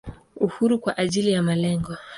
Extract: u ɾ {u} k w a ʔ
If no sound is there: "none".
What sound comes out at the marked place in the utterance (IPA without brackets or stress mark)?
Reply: u